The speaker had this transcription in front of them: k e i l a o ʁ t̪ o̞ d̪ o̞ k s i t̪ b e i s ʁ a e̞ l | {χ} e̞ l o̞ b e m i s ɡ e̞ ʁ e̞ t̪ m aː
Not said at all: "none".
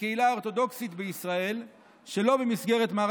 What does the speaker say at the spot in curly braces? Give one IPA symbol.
ʃ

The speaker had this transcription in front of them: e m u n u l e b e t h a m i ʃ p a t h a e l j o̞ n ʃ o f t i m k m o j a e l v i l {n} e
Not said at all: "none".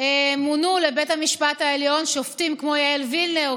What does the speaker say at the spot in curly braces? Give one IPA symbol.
n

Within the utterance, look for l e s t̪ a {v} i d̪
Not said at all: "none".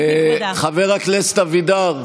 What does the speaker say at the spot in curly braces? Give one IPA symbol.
v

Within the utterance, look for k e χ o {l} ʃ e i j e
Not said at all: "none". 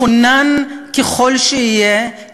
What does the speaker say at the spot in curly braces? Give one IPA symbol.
l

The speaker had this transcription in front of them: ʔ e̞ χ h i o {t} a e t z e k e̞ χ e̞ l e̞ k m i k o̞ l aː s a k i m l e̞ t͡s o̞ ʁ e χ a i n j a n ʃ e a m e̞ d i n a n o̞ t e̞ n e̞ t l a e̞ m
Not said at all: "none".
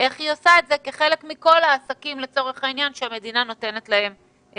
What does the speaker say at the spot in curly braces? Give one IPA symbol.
s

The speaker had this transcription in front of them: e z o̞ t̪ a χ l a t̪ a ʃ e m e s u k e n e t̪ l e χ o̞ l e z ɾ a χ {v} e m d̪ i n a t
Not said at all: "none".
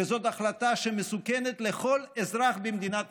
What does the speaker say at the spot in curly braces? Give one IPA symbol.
b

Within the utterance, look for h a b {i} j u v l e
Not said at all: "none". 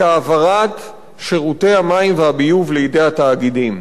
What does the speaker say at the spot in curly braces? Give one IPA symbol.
i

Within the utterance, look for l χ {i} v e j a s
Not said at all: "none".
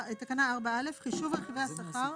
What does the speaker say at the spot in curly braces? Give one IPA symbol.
i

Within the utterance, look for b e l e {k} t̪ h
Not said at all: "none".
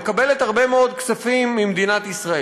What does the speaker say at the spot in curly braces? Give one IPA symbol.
none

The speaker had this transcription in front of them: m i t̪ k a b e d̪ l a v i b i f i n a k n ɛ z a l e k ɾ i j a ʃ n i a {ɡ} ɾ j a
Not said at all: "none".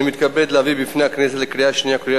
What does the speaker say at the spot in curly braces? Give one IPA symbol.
k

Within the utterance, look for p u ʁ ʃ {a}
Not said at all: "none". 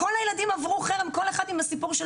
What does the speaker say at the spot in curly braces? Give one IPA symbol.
e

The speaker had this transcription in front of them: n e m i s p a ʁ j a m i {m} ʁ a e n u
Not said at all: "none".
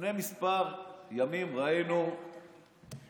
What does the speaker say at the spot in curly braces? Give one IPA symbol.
m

